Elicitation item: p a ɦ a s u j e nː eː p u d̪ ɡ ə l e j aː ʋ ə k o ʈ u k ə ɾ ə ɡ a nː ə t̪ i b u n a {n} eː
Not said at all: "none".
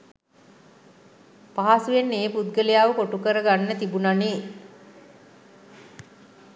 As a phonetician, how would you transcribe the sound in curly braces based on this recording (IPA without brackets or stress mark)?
n